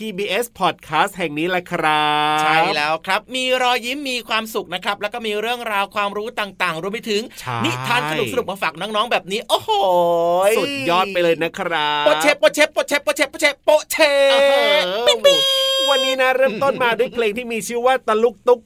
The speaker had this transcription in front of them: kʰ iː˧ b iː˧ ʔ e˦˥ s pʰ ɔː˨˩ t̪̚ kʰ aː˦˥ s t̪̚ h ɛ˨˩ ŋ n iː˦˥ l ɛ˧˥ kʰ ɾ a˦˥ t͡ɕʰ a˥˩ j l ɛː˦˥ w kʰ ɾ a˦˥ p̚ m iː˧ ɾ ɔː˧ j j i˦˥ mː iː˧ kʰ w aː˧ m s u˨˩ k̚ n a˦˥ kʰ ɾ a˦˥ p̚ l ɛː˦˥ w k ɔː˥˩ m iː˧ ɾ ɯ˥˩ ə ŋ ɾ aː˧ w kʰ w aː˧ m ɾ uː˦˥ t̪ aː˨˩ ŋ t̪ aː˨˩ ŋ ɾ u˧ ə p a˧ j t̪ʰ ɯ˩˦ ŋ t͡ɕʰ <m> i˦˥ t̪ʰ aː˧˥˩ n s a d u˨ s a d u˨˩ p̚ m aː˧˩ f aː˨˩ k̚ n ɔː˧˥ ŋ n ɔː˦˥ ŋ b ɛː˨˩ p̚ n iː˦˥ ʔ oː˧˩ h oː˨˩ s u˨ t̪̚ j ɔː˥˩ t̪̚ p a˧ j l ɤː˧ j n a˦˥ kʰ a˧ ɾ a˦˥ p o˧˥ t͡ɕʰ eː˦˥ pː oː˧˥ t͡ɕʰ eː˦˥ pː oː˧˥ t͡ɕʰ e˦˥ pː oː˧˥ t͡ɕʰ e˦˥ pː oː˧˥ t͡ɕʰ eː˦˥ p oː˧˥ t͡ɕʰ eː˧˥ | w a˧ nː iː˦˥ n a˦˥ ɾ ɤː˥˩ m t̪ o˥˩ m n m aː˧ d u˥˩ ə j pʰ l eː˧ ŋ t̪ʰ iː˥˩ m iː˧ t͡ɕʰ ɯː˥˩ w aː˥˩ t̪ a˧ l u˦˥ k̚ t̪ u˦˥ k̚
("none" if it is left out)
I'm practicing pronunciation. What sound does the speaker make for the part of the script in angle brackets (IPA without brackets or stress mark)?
n